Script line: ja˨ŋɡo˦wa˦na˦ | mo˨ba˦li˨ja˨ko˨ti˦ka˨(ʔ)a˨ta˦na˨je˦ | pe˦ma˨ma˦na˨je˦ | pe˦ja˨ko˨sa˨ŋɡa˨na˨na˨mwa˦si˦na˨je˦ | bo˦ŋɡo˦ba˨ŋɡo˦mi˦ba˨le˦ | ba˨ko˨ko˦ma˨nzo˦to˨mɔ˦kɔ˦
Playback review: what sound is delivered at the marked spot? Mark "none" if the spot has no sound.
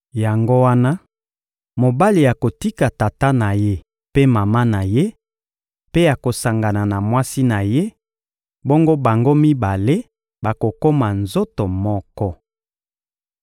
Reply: t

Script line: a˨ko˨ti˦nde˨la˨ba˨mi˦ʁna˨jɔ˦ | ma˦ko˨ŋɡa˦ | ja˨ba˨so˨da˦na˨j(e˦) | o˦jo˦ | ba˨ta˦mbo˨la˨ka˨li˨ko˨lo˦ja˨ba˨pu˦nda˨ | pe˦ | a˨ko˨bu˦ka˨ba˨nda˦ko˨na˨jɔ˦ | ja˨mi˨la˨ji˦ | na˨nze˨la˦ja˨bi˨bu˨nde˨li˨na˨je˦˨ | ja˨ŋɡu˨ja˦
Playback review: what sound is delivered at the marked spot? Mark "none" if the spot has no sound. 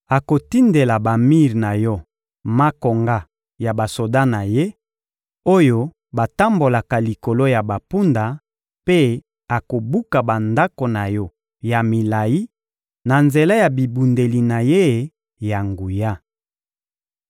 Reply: e˦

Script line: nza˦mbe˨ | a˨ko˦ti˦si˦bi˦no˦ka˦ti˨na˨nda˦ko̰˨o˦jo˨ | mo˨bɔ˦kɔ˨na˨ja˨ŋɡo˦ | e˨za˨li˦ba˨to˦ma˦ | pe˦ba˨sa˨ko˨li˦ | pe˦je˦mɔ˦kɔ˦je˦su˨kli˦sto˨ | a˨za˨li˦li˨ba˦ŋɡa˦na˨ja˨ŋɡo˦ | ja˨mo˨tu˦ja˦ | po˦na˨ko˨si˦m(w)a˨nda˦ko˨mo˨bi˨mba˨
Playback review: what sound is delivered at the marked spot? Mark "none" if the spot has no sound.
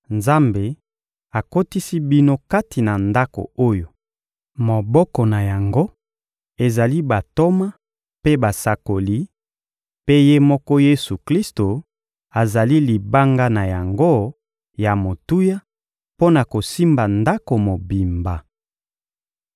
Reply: b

